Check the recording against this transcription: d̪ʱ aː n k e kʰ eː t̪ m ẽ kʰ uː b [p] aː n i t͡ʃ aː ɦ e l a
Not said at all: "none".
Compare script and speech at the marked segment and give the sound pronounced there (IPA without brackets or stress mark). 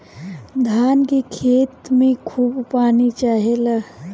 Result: p